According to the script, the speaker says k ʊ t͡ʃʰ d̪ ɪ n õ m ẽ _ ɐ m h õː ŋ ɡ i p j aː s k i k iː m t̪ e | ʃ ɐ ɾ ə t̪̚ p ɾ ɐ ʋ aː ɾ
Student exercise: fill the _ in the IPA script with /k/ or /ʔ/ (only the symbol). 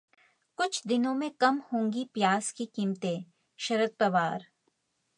k